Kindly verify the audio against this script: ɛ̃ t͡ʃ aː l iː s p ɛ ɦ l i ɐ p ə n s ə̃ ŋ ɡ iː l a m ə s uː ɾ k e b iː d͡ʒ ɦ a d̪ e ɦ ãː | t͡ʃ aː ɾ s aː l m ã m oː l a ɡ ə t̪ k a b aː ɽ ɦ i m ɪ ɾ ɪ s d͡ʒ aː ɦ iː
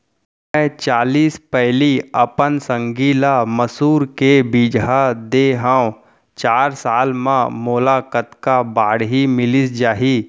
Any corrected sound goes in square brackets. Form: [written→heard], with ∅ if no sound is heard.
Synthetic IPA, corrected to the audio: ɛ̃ t͡ʃ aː l iː s p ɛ ɦ l i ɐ p ə n s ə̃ ŋ ɡ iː l a m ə s uː ɾ k e b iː d͡ʒ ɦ a d̪ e ɦ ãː | t͡ʃ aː ɾ s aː l m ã m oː l a [ɡ→k] ə t̪ k a b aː ɽ ɦ i m ɪ [ɾ→l] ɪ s d͡ʒ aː ɦ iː